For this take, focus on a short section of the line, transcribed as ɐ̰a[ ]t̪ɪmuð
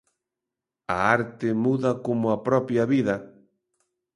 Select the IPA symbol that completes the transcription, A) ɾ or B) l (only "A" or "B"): A